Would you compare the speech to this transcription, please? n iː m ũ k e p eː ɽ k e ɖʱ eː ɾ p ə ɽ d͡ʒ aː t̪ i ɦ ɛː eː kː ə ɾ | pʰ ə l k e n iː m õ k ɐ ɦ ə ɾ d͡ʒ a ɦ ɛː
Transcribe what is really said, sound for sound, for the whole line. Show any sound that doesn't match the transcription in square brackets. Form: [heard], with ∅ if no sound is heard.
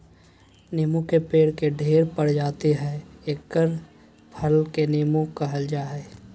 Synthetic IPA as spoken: n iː m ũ k e p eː ɽ k e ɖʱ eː ɾ p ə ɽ d͡ʒ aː t̪ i ɦ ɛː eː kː ə ɾ | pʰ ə l k e n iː m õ k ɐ ɦ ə [l] d͡ʒ a ɦ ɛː